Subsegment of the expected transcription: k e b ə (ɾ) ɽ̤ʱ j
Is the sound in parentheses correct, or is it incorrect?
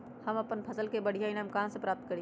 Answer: incorrect